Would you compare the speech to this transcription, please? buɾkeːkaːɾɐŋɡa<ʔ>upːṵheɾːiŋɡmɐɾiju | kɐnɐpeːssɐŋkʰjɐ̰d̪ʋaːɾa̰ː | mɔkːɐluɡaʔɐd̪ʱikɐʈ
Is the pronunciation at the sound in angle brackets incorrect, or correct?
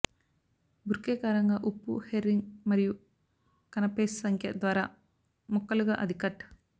correct